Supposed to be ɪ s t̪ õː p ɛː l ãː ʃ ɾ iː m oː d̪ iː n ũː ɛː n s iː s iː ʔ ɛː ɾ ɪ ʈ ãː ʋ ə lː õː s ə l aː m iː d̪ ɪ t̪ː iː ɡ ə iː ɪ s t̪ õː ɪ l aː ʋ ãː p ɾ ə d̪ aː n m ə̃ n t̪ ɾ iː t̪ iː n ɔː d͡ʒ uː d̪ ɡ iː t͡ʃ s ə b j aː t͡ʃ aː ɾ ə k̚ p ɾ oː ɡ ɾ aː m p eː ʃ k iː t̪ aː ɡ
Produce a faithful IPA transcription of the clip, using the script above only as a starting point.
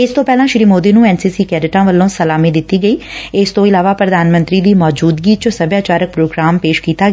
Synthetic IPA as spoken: ɪ s t̪ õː p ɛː l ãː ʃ ɾ iː m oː d̪ iː n ũː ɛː n s iː s iː k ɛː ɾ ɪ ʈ ãː ʋ ə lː õː s ə l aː m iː d̪ ɪ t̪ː iː ɡ ə iː ɪ s t̪ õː ɪ l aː ʋ aː p ɾ ə d̪ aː n m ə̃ n t̪ ɾ iː d̪ iː m ɔː d͡ʒ uː d̪ ɡ iː t͡ʃ s ə b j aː t͡ʃ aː ɾ ə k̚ p ɾ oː ɡ ɾ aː m p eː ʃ k iː t̪ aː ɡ